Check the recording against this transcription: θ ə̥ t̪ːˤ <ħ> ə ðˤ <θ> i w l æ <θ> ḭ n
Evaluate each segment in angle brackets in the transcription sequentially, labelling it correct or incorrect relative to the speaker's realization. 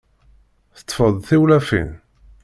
incorrect: f, correct, incorrect: f

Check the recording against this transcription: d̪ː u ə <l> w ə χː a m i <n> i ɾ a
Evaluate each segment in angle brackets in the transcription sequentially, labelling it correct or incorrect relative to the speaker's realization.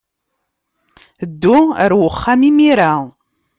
incorrect: ɾ, incorrect: m

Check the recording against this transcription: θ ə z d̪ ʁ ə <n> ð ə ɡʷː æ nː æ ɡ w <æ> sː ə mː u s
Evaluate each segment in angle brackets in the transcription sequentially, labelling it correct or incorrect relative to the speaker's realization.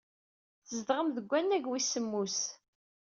incorrect: m, incorrect: i

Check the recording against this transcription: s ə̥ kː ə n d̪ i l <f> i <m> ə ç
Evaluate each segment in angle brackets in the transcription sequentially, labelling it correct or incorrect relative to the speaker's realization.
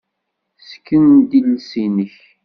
incorrect: s, incorrect: n

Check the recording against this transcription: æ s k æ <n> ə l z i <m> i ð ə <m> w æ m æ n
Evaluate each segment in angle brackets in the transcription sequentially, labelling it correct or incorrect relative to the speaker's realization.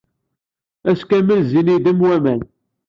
incorrect: m, incorrect: n, correct

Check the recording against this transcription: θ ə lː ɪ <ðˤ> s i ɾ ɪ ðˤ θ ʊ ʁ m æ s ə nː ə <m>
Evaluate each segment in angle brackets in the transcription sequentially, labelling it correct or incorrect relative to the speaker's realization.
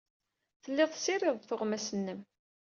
correct, correct

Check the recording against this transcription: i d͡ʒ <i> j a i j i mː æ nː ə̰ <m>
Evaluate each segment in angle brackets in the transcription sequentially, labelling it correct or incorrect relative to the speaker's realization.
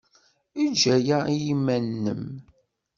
incorrect: æ, correct

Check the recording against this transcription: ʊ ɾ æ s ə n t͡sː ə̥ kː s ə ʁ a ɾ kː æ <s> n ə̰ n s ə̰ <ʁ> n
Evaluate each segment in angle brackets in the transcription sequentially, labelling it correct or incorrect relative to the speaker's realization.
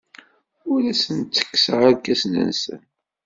correct, incorrect: none

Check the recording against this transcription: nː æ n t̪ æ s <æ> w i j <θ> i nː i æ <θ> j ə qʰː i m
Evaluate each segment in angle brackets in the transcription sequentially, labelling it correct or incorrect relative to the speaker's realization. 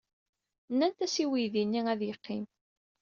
incorrect: i, incorrect: ð, incorrect: ð

